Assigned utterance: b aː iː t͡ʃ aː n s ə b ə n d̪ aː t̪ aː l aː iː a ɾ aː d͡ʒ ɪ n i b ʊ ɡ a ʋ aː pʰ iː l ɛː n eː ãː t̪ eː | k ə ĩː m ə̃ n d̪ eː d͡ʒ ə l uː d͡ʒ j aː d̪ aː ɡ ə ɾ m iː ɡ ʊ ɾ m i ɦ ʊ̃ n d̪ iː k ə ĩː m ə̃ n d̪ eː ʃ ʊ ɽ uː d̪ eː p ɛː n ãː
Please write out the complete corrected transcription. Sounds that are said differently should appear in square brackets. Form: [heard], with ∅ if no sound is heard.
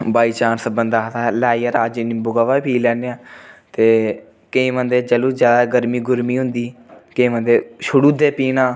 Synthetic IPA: b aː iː t͡ʃ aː n s ə b ə n d̪ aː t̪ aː l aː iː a ɾ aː d͡ʒ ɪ n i b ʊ ɡ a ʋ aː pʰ iː l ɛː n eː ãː t̪ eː | k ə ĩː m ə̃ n d̪ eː d͡ʒ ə l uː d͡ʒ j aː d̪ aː ɡ ə ɾ m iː ɡ ʊ ɾ m [iː] ɦ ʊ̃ n d̪ iː k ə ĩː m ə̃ n d̪ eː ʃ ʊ ɽ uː d̪ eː p [iː] n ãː